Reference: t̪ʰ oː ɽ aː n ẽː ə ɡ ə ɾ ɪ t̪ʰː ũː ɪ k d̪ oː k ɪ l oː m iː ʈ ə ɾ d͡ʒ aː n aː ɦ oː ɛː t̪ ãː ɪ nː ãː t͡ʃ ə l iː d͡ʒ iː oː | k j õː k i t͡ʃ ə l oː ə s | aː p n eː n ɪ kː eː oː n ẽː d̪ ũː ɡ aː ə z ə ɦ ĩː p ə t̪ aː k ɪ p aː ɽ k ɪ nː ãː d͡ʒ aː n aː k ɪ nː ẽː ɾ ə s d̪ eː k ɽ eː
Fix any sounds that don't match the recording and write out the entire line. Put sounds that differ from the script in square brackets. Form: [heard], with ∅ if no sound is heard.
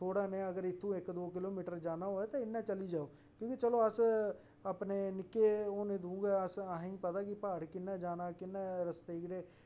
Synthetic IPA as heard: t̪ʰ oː ɽ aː n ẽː ə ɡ ə ɾ ɪ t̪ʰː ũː ɪ k d̪ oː k ɪ l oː m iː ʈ ə ɾ d͡ʒ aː n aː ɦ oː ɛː t̪ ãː ɪ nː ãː t͡ʃ ə l iː d͡ʒ [aː] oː | k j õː k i t͡ʃ ə l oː ə s | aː p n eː n ɪ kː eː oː n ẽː d̪ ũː ɡ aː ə [s] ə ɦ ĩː p ə t̪ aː k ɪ p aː ɽ k ɪ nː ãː d͡ʒ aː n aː k ɪ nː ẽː ɾ ə s [t̪] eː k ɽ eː